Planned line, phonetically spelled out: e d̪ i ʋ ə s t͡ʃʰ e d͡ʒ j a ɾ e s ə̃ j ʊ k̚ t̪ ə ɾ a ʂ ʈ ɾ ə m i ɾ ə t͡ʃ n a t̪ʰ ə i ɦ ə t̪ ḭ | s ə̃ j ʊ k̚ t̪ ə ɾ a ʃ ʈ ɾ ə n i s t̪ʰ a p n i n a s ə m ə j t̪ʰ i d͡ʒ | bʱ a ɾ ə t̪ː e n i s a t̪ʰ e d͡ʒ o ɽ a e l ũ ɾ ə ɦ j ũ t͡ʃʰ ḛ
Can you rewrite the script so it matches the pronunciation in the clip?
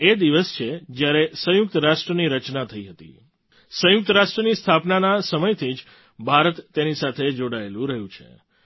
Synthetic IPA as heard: e d̪ i ʋ ə s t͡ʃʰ e d͡ʒ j a ɾ e s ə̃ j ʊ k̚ t̪ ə ɾ a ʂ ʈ ɾ ə n i ɾ ə t͡ʃ n a t̪ʰ ə i ɦ ə t̪ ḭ | s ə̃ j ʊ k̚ t̪ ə ɾ a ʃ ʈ ɾ ə n i s t̪ʰ a p n a n a s ə m ə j t̪ʰ i d͡ʒ | bʱ a ɾ ə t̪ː e n i s a t̪ʰ e d͡ʒ o ɽ a e l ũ ɾ ə ɦ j ũ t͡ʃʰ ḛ